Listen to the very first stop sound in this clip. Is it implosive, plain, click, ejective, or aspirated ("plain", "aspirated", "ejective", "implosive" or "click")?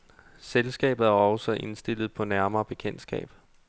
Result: plain